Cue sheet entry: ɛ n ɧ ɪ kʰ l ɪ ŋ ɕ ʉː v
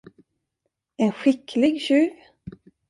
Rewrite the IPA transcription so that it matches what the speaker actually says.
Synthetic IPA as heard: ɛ n ɧ ɪ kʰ l ɪ ɡ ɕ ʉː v